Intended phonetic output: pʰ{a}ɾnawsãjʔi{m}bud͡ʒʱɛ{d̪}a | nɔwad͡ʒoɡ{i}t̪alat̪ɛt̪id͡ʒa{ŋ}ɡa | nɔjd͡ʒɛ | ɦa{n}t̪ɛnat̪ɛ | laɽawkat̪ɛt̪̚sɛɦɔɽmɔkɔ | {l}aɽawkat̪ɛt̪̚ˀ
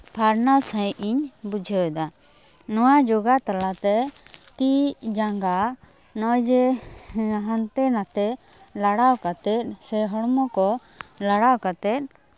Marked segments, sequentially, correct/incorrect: correct, incorrect: ɲ, correct, incorrect: a, correct, correct, correct

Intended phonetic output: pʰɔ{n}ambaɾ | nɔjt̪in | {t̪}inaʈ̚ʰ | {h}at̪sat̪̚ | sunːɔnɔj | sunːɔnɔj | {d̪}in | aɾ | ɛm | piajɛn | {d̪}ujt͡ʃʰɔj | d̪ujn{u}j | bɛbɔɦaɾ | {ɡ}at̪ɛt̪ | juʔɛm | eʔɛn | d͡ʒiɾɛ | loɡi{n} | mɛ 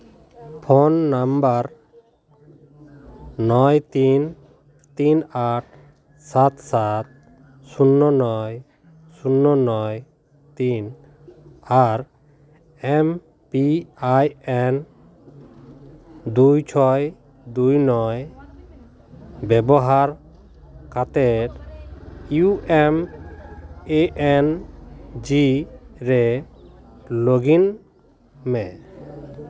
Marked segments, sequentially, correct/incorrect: incorrect: nː, correct, incorrect: s, incorrect: t̪, correct, incorrect: ɔ, incorrect: k, correct

